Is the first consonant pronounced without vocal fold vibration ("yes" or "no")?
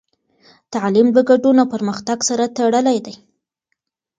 yes